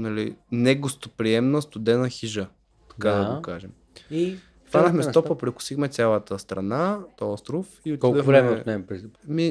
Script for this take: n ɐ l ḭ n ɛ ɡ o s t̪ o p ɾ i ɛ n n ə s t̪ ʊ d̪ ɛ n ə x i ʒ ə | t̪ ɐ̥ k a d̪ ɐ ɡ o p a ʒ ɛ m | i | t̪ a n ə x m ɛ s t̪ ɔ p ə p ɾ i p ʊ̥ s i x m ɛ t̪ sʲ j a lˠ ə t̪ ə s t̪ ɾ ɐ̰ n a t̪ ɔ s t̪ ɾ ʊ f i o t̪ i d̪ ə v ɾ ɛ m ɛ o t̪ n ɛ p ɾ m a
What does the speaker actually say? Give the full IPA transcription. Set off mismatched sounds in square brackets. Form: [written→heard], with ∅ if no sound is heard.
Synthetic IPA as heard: n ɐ l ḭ n ɛ ɡ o s t̪ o p ɾ i ɛ [n→m] n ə s t̪ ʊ d̪ ɛ n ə x i ʒ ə | t̪ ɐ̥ k a d̪ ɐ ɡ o [p→k] a ʒ ɛ m | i | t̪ a n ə x m ɛ s t̪ ɔ p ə p ɾ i [p→k] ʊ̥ s i x m ɛ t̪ sʲ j a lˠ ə t̪ ə s t̪ ɾ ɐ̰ n a t̪ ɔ s t̪ ɾ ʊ f i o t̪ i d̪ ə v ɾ ɛ m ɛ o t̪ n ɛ p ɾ m [a→i]